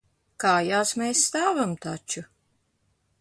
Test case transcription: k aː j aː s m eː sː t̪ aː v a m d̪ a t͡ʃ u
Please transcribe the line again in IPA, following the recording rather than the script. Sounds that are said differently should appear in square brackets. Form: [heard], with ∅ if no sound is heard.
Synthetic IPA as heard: k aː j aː s m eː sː t̪ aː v a m [t̪] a t͡ʃ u